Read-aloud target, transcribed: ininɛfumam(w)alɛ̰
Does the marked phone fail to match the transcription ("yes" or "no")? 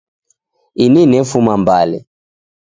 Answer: yes